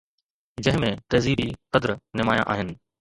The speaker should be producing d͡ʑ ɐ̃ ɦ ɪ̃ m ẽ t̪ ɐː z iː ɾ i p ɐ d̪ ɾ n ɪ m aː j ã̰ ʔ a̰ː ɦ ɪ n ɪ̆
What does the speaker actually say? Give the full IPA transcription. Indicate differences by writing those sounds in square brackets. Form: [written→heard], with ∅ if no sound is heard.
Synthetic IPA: d͡ʑ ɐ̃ ɦ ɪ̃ m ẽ t̪ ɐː z iː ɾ i [p→q] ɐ d̪ ɾ n ɪ m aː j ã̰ ʔ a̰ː ɦ ɪ n ɪ̆